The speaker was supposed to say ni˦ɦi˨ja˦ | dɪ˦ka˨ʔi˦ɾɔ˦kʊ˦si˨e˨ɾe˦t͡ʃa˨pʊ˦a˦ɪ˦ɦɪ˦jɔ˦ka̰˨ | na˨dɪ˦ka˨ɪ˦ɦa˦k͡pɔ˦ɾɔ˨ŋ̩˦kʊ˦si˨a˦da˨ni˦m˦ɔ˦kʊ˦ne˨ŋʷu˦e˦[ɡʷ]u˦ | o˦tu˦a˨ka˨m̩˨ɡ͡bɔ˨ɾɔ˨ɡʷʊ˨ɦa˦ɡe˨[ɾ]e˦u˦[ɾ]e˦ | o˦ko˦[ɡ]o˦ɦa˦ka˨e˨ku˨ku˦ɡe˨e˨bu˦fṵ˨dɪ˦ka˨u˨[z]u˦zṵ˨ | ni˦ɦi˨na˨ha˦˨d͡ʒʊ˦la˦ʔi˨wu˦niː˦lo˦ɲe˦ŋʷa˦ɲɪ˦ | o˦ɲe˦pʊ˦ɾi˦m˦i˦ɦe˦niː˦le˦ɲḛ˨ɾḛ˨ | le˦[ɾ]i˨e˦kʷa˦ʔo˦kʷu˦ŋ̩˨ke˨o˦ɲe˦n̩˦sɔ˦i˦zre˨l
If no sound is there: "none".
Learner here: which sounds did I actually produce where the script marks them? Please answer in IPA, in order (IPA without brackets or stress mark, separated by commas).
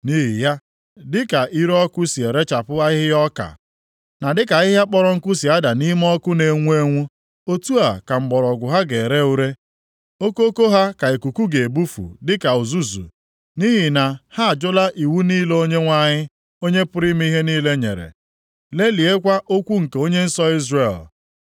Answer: ŋʷ, ɾ, ɾ, k, z, l